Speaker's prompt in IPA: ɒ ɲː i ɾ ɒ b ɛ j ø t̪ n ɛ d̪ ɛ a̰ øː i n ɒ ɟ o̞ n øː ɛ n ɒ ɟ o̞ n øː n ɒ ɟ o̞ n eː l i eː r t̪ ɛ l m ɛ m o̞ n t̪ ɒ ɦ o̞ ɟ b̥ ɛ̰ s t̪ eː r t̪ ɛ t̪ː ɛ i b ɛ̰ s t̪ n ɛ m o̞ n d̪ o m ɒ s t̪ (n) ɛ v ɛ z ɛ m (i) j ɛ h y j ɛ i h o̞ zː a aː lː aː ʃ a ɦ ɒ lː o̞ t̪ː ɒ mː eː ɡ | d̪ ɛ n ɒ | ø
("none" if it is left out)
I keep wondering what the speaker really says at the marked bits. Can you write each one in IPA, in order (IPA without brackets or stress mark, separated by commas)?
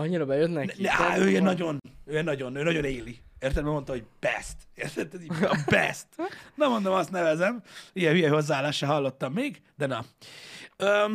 n, i